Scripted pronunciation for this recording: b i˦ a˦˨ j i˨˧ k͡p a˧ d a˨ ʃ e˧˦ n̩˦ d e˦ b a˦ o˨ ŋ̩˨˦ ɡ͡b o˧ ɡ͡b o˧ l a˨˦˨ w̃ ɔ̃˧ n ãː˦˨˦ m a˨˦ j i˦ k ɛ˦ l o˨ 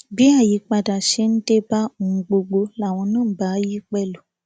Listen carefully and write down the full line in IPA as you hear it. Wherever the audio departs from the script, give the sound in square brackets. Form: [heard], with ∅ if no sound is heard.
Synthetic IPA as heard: b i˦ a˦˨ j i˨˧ k͡p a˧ d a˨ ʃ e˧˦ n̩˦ d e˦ b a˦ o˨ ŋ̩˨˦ ɡ͡b o˧ ɡ͡b o˧ l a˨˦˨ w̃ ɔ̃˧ n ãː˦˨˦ [b] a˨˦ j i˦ [k͡p] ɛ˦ l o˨